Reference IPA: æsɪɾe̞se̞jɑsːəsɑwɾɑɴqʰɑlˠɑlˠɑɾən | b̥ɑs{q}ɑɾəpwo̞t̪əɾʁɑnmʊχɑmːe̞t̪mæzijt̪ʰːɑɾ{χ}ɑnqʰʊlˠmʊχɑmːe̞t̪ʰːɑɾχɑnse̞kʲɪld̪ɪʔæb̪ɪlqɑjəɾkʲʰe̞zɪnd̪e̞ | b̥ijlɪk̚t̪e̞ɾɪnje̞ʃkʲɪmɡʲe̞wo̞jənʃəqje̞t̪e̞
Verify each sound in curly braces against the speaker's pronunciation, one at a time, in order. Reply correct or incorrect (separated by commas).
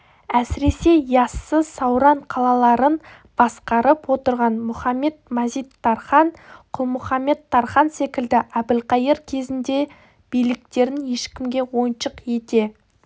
correct, correct